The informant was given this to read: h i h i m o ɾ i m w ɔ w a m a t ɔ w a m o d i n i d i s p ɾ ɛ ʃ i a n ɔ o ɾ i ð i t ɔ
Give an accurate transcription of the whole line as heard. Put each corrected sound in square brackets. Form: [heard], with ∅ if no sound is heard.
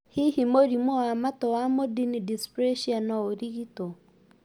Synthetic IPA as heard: h i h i m o ɾ i m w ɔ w a m a t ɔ w a m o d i n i d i s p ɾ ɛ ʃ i a n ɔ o ɾ i [ɣ] i t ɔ